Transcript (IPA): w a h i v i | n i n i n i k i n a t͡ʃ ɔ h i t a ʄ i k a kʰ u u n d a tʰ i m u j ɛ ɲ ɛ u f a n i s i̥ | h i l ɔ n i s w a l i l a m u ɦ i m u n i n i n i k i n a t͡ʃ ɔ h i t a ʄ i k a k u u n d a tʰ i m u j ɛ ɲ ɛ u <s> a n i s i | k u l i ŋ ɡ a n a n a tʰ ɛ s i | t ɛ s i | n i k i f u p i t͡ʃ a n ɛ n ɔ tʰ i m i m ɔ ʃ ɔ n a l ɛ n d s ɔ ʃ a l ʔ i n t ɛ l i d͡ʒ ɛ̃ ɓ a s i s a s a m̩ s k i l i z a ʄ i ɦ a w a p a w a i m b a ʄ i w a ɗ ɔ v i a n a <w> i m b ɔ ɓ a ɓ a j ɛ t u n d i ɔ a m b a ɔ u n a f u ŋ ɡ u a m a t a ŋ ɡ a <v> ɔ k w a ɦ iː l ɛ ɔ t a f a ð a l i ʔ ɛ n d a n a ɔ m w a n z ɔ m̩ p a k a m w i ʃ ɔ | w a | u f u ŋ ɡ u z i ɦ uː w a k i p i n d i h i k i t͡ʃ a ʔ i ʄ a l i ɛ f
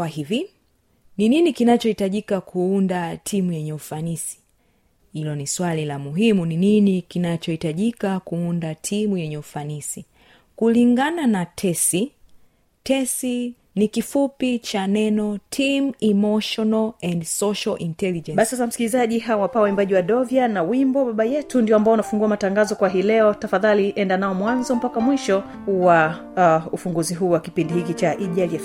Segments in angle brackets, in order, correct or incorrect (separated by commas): incorrect, correct, incorrect